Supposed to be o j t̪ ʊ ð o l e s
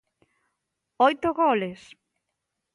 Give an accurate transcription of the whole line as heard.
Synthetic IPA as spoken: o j t̪ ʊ ɣ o l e s